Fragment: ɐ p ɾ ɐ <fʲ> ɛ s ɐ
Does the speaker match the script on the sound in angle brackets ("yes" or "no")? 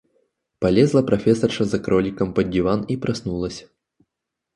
yes